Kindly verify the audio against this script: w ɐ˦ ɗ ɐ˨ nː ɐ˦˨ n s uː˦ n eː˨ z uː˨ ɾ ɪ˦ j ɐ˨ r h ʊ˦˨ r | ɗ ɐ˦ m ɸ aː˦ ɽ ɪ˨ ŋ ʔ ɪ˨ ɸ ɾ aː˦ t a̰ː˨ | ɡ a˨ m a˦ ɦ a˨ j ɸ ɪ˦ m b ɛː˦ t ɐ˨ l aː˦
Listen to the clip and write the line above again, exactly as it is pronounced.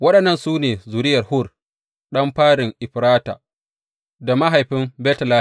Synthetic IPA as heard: w ɐ˦ ɗ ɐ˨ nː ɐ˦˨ n s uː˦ n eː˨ z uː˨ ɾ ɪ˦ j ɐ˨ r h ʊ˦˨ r | ɗ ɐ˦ m ɸ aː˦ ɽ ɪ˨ ŋ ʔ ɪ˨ ɸ ɾ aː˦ t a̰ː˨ | d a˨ m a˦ ɦ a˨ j ɸ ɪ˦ m b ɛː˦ t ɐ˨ l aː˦